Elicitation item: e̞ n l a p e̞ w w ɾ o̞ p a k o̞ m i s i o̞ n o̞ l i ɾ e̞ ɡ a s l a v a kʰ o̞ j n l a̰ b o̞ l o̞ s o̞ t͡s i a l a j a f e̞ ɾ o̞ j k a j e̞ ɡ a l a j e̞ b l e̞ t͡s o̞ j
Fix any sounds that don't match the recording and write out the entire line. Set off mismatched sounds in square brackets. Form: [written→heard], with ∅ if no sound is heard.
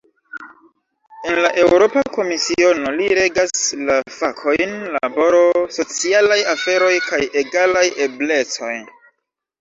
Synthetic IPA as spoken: e̞ n l a [p→ʔ] e̞ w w ɾ o̞ p a k o̞ m i s i o̞ n o̞ l i ɾ e̞ ɡ a s l a [v→f] a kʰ o̞ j n l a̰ b o̞ [l→ɾ] o̞ s o̞ t͡s i a l a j a f e̞ ɾ o̞ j k a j e̞ ɡ a l a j e̞ b l e̞ t͡s o̞ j